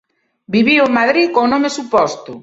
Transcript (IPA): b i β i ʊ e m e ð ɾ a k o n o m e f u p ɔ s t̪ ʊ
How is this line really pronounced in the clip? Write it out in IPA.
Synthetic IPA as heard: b i β i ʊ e m a ð ɾ i k o n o m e s u p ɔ s t̪ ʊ

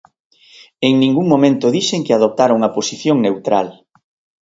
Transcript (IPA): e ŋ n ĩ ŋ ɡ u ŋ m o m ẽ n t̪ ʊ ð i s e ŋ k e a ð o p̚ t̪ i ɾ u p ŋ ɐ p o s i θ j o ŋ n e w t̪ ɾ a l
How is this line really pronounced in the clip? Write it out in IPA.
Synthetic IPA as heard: e ŋ n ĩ ŋ ɡ u ŋ m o m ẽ n t̪ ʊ ð i ʃ e ŋ k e a ð o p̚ t̪ a ɾ u ŋ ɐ p o s i θ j o ŋ n e w t̪ ɾ a l

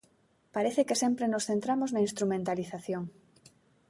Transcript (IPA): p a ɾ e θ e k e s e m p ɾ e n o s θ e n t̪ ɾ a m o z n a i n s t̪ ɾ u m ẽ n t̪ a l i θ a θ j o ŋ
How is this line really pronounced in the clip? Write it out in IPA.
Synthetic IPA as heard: p a ɾ e θ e k e s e m p ɾ e n o s θ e n t̪ ɾ a m o z n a i n s t̪ ɾ u m ẽ n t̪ a l i θ a θ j o ŋ

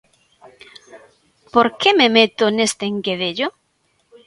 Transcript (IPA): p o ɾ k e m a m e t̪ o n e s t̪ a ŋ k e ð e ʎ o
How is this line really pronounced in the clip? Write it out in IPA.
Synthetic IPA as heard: p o ɾ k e m e m e t̪ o n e s t̪ e ŋ k e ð e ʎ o

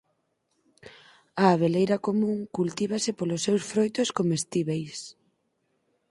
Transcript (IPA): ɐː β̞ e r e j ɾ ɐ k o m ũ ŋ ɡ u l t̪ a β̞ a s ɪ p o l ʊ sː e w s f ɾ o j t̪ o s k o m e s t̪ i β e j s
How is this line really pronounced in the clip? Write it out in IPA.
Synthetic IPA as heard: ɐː β̞ e l e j ɾ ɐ k o m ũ ŋ k u l t̪ i β̞ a s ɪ p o l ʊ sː e w s f ɾ o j t̪ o s k o m e s t̪ i β e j s

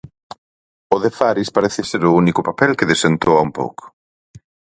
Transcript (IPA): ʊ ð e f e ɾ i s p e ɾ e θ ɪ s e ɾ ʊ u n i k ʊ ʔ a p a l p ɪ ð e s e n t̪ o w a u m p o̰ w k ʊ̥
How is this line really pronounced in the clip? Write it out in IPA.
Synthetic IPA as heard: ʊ ð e f a ɾ i s p a ɾ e θ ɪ s e ɾ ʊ u n i k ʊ p a p ɛ l k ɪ ð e s e n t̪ o w a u m p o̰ w k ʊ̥

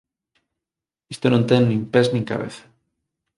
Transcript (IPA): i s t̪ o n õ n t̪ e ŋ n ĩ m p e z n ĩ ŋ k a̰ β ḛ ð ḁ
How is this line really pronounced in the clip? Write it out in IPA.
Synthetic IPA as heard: i s t̪ o n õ n t̪ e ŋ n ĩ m p e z n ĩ ŋ k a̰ β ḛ θ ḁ

